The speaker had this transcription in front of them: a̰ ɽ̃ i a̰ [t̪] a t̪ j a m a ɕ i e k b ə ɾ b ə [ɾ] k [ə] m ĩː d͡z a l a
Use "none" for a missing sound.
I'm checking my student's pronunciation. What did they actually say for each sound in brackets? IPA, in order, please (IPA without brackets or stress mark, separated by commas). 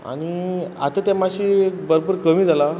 t̪, ɾ, ə